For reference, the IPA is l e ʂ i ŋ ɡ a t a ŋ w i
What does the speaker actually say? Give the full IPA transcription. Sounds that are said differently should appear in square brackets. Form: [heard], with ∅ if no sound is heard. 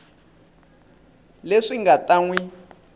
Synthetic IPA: l e ʂ i ŋ ɡ a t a ŋ w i